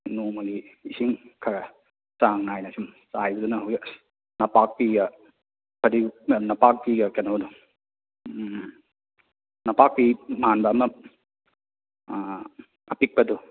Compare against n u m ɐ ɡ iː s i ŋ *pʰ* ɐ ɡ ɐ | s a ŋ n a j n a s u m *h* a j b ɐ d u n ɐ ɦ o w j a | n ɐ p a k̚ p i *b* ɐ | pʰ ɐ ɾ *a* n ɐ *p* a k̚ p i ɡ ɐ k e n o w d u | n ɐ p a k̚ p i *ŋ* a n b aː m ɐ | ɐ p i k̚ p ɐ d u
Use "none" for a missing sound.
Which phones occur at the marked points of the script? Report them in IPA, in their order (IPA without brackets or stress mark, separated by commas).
kʰ, s, ɡ, i, p, m